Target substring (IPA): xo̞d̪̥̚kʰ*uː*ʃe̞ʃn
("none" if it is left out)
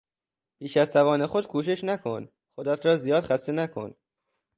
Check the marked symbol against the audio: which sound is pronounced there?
uː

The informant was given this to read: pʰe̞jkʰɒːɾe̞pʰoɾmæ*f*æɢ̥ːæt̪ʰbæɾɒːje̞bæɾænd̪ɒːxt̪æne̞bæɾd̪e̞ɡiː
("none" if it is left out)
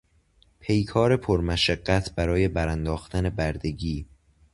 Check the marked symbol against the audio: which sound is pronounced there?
ʃ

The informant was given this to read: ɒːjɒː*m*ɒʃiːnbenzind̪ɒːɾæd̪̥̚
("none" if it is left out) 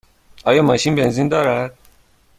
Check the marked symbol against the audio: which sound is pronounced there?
m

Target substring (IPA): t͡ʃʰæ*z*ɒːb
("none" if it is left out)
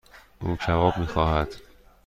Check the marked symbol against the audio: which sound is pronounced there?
v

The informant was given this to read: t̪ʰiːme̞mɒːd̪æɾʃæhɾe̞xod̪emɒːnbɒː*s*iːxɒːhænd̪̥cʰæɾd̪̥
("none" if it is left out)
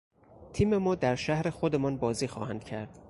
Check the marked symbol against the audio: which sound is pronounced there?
z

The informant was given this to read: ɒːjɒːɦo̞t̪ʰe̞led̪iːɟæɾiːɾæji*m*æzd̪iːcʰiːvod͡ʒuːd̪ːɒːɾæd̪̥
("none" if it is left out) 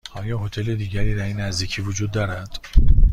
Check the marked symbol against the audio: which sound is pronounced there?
n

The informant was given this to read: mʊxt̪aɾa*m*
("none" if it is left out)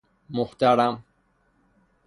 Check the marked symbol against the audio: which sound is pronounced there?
m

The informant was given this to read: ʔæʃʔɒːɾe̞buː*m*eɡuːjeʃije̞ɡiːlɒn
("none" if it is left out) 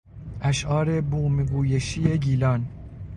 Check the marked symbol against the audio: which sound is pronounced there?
m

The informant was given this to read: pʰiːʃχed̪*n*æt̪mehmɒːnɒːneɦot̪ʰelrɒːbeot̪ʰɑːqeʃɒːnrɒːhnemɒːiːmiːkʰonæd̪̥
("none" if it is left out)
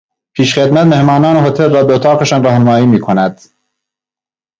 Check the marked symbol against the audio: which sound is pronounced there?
m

